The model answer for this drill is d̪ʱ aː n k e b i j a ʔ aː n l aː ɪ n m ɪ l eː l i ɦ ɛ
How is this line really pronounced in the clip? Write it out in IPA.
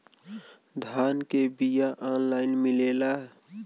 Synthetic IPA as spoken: d̪ʱ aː n k e b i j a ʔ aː n l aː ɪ n m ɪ l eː l a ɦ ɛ